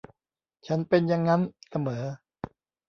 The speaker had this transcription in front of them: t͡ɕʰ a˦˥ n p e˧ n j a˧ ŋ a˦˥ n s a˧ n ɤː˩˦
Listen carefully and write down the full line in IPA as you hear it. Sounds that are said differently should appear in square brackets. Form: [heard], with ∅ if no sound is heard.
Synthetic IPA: t͡ɕʰ a˦˥ n p e˧ n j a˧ [ŋː] a˦˥ n s a˧ [m] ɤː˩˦